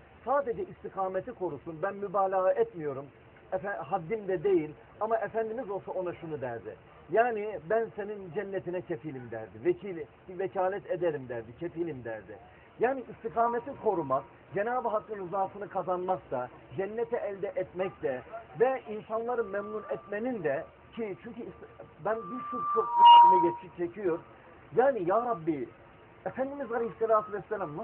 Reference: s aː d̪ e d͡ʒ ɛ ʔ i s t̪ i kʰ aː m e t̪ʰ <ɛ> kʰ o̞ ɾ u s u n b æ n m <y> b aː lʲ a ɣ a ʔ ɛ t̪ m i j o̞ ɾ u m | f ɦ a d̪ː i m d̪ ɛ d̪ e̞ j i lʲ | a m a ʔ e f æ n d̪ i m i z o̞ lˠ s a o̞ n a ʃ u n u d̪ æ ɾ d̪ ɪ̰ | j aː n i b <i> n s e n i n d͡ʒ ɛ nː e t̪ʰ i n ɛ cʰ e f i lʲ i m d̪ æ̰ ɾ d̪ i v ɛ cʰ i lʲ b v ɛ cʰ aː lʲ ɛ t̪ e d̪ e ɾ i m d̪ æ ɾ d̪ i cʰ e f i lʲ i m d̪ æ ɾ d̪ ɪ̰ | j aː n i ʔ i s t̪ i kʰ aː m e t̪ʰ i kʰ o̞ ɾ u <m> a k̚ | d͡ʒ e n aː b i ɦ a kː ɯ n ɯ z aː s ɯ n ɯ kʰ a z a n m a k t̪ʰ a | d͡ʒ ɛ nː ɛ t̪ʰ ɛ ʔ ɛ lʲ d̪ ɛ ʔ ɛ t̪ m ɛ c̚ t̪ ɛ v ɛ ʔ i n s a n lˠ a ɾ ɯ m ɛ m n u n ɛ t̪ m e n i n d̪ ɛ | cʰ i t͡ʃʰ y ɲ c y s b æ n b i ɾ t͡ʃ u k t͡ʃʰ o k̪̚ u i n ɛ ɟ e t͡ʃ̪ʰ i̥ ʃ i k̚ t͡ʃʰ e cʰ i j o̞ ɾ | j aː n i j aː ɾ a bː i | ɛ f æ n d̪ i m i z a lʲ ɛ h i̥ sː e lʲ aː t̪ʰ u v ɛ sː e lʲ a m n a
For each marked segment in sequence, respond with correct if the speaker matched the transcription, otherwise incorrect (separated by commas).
incorrect, correct, incorrect, correct